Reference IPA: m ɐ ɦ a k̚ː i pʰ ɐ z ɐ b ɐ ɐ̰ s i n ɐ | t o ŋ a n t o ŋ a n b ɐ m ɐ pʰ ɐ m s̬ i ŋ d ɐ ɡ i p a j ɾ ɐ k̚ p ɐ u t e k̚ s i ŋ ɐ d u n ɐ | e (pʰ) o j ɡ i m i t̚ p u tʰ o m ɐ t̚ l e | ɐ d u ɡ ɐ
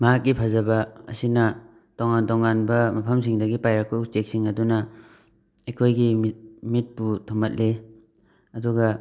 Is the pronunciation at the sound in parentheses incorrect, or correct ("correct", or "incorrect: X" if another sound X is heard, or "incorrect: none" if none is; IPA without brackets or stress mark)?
incorrect: kʰ